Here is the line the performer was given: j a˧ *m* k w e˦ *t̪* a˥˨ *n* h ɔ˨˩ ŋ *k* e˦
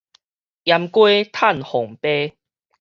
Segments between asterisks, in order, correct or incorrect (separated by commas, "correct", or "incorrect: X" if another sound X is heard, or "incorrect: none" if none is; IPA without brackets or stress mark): correct, incorrect: t̪ʰ, correct, incorrect: p